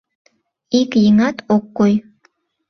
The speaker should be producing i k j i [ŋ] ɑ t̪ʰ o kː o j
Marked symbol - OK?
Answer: yes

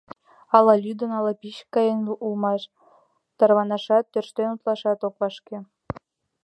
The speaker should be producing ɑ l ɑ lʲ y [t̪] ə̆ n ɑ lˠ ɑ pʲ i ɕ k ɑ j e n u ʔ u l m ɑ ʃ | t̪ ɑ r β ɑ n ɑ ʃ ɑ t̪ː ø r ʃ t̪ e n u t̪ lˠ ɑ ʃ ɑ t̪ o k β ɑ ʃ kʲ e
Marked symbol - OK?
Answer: no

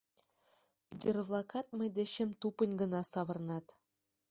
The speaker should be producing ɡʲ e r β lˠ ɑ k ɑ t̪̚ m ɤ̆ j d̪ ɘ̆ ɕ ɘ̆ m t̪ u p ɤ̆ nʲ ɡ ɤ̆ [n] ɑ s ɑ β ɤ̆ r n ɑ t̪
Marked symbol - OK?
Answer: yes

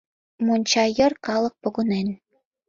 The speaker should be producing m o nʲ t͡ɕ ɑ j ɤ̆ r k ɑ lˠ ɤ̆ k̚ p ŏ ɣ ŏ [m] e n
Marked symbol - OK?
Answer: no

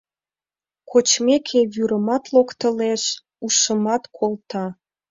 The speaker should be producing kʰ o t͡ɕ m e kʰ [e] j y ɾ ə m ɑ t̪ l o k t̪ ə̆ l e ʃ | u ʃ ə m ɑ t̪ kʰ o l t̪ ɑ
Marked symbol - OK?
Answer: yes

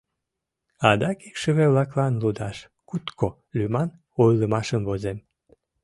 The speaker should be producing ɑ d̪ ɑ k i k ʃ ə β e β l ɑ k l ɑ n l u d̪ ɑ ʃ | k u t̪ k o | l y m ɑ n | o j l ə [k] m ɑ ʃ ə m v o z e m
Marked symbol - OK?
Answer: no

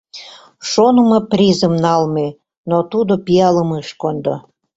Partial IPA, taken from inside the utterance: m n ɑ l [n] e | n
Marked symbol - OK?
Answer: no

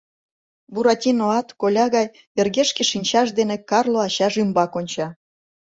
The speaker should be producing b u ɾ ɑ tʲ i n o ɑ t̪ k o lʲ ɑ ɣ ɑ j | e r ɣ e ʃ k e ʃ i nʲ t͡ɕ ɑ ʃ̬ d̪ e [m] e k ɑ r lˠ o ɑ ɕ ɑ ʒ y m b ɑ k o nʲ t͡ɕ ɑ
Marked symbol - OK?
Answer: no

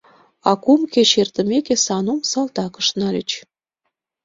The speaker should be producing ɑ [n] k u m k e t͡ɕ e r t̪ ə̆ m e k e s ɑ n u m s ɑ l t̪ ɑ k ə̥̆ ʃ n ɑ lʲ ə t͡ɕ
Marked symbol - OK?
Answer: no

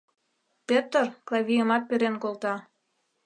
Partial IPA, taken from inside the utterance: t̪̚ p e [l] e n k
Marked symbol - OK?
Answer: no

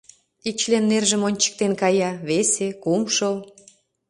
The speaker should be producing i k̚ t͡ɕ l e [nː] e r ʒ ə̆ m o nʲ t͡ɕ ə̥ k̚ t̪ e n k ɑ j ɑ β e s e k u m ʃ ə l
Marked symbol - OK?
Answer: yes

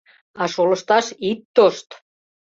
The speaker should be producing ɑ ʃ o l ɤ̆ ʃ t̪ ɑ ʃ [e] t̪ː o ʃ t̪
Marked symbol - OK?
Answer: no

